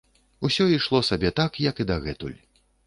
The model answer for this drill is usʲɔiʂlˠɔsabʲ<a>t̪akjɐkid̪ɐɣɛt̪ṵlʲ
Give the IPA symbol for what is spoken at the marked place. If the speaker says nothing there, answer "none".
ɛ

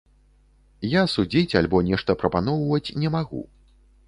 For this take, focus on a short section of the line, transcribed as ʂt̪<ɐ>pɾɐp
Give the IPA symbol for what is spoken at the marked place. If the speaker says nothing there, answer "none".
ɐ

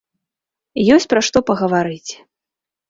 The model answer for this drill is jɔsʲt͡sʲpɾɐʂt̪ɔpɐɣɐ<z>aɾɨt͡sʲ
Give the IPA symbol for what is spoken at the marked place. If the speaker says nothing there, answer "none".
v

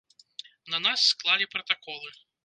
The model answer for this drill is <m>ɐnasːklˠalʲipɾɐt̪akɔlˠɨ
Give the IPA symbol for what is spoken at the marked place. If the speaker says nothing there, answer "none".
n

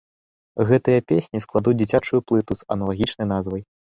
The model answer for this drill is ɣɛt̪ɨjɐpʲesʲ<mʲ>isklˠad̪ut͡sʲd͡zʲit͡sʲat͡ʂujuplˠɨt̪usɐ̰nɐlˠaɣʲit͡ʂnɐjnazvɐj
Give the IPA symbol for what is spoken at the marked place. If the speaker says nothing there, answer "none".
nʲ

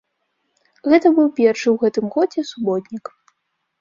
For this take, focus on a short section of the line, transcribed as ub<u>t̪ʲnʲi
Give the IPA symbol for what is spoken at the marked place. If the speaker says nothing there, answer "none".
ɔ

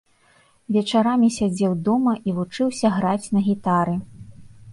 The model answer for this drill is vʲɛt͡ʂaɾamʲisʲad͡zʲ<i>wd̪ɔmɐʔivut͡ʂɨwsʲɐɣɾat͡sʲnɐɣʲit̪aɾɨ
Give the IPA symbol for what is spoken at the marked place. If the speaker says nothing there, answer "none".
ɛ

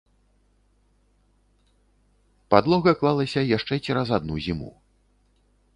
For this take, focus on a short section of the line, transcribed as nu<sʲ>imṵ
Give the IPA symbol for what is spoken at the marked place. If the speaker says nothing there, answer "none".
zʲ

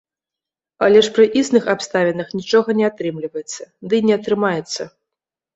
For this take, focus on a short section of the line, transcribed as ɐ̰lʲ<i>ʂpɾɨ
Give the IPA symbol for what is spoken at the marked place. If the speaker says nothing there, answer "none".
ɛ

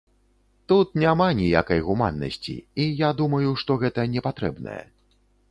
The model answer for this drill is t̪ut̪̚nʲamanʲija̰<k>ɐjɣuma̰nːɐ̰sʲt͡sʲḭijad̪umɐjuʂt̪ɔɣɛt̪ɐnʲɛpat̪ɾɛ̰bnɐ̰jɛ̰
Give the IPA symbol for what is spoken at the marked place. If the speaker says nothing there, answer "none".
k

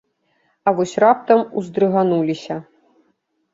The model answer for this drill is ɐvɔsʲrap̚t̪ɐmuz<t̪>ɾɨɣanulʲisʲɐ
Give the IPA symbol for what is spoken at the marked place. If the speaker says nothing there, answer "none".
d̪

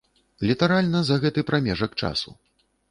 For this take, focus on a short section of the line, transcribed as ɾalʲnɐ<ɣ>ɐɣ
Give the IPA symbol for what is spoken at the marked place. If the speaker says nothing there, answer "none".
z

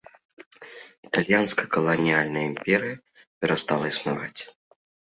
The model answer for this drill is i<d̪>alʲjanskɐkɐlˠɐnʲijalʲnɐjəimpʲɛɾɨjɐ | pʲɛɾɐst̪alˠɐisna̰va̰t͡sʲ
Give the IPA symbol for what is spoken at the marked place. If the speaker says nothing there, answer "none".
t̪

